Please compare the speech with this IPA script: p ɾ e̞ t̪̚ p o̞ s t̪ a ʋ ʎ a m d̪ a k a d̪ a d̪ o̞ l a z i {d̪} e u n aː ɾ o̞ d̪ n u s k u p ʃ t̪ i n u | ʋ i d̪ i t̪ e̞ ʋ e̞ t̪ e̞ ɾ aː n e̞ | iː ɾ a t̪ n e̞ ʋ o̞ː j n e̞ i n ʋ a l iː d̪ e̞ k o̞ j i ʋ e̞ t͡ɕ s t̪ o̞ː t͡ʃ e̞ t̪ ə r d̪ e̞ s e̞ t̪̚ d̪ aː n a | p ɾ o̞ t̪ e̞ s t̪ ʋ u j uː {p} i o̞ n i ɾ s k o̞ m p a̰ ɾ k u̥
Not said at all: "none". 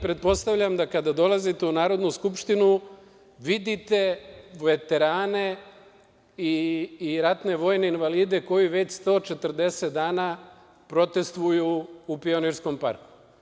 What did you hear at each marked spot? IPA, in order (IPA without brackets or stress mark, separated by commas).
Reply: t̪, p